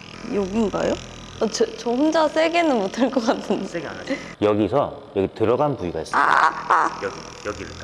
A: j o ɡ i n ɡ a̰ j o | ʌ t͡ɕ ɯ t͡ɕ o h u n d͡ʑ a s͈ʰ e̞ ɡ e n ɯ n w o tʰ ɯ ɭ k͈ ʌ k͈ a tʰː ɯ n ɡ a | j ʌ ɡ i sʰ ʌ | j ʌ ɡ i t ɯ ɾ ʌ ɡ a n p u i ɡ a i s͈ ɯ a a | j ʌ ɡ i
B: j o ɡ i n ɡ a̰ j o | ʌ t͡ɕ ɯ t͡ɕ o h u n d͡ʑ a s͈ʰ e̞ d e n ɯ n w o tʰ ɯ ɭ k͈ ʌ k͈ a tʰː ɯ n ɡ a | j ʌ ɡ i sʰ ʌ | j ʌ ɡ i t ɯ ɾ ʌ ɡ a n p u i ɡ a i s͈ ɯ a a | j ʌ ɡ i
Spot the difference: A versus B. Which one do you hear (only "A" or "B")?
A